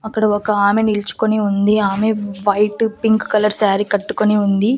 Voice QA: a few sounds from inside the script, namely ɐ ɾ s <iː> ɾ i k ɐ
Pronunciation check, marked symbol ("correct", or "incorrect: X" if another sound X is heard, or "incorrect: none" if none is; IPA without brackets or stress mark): incorrect: aː